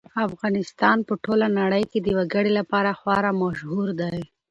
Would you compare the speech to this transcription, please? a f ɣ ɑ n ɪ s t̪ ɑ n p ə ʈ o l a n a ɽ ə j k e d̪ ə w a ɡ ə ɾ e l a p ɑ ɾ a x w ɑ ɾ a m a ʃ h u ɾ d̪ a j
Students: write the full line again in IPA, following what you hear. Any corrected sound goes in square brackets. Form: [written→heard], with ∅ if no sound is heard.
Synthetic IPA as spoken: a f ɣ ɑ n ɪ s t̪ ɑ n p ə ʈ o l a n a ɽ ə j k e d̪ ə w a ɡ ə [ɾ→ɽ] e l a p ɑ ɾ a x w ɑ ɾ a m a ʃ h u ɾ d̪ a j